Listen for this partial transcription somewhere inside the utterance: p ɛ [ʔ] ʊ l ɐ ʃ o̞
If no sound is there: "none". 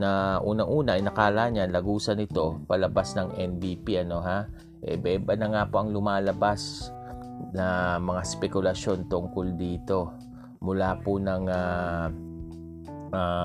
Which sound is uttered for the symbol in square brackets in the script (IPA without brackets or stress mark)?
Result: k